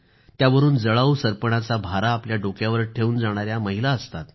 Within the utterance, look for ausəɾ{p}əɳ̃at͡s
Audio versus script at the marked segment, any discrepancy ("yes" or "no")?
no